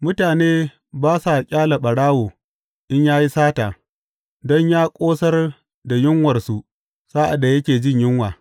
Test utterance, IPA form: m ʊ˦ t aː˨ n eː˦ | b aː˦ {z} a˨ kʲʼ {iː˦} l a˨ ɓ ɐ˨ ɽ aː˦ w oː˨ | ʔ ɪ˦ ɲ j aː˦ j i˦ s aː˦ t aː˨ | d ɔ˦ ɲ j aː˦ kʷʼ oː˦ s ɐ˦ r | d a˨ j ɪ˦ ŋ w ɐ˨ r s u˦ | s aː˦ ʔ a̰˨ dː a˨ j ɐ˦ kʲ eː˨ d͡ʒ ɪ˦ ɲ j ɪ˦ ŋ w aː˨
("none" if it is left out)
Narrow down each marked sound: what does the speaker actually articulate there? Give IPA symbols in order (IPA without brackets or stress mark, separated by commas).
s, aː˦